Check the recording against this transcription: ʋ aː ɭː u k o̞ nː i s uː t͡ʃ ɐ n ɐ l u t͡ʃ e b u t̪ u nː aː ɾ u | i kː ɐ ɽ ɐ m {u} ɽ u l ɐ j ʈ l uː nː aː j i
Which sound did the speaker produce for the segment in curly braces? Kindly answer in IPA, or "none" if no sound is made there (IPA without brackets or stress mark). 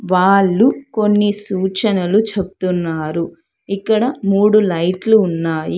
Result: uː